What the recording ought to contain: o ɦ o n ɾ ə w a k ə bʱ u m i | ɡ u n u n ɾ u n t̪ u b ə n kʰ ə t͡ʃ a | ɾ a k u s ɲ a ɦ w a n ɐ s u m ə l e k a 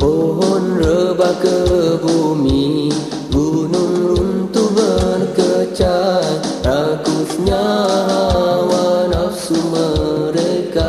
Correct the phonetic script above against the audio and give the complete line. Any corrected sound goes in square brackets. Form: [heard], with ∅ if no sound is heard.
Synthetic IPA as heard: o ɦ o n ɾ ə [b] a k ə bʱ u m i | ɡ u n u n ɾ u n t̪ u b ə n [k] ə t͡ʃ a | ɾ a k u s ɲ a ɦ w a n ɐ s u m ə [ɾ] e k a